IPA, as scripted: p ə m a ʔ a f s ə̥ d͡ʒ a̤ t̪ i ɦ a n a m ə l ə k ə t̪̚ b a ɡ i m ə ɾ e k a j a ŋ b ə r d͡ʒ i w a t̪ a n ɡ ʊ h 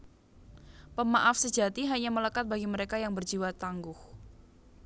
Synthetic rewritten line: p ə m a ʔ a f s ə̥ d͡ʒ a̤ t̪ i ɦ a ɲ a m ə l ə k a t̪̚ b a ɡ i m ə ɾ e k a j a ŋ b ə r d͡ʒ i w a t̪ a ŋ ɡ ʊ h